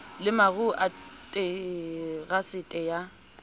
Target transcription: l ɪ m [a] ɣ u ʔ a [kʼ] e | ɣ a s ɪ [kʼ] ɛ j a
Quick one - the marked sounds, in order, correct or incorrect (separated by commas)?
correct, incorrect, incorrect